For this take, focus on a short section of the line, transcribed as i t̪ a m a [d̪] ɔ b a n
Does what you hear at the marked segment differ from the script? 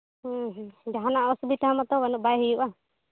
yes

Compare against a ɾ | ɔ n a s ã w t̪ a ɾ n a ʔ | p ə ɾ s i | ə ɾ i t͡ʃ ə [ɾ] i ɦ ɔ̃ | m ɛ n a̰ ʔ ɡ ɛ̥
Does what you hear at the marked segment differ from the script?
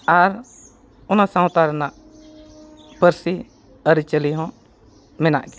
yes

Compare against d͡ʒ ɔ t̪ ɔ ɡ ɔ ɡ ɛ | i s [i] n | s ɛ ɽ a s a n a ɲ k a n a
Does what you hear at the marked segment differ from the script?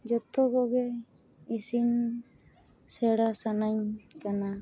no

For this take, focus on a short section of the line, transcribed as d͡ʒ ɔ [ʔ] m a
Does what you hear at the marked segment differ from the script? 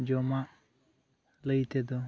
yes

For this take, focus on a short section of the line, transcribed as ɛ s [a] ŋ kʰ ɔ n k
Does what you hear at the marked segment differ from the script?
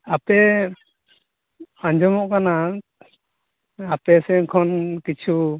yes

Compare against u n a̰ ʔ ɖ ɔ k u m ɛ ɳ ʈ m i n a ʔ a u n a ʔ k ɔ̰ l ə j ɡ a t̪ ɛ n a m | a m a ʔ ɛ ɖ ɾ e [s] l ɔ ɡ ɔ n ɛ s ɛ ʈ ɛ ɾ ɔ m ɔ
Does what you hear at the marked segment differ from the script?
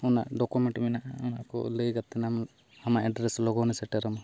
no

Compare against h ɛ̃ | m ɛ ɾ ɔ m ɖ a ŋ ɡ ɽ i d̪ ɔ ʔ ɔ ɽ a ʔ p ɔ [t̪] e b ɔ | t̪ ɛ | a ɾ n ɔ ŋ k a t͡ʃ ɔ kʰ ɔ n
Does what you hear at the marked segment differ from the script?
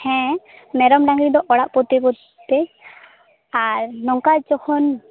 no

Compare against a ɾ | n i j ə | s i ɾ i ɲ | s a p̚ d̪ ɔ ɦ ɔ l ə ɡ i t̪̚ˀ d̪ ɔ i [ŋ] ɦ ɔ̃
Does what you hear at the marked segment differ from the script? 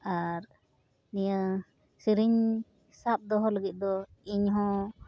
yes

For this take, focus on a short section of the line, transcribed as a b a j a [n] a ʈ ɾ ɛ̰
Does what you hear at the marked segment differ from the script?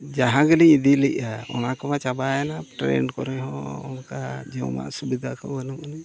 no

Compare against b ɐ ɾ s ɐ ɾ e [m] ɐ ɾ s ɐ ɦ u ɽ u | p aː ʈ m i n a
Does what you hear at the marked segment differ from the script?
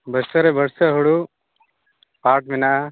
yes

